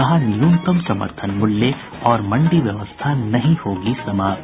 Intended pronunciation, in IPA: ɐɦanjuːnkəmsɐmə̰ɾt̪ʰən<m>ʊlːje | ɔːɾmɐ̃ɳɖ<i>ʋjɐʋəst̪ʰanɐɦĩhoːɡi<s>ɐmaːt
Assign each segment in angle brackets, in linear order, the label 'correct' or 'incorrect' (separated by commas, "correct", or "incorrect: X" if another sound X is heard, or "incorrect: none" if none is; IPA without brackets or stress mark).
correct, correct, correct